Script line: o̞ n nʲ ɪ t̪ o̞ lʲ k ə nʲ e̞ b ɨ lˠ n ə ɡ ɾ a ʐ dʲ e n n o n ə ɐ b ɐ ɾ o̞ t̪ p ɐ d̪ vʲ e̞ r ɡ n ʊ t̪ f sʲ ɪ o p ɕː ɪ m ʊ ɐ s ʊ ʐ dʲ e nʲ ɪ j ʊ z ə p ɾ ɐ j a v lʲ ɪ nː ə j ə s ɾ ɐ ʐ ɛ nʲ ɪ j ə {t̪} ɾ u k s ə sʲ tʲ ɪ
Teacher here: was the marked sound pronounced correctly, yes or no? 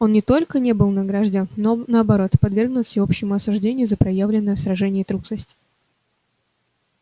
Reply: yes